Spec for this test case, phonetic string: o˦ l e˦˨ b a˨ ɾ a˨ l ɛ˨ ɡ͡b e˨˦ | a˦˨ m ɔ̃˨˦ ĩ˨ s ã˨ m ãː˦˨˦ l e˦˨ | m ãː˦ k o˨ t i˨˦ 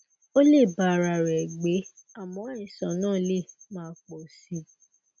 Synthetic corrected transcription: o˦ l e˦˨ b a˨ ɾ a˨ ɾ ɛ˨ ɡ͡b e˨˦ | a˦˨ m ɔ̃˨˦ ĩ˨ s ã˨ n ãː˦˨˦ l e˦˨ | m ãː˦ k͡p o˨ s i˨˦